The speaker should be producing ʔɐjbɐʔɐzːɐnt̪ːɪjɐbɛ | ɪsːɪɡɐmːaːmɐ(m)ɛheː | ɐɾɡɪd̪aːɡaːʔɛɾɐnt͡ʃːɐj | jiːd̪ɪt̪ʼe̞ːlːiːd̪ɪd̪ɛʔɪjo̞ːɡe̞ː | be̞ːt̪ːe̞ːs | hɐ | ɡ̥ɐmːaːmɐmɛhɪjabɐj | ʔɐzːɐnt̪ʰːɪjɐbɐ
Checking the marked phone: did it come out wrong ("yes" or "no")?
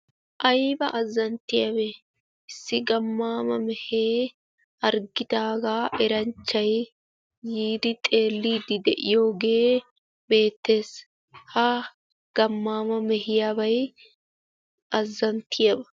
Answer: no